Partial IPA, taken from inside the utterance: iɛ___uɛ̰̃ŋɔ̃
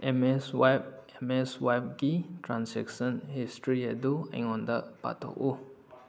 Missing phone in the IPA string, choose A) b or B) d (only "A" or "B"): B